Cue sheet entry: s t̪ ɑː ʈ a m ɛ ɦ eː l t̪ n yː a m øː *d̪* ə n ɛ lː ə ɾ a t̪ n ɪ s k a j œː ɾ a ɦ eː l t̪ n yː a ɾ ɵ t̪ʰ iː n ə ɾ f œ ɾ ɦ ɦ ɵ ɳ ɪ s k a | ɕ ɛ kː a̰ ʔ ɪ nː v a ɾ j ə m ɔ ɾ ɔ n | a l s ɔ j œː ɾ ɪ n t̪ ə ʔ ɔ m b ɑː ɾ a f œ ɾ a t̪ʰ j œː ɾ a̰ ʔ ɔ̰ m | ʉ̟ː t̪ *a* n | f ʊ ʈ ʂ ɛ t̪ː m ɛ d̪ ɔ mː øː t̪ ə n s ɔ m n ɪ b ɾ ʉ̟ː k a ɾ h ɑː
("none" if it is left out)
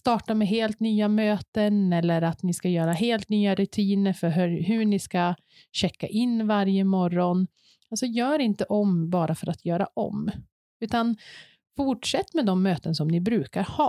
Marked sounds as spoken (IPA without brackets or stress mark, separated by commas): t̪, a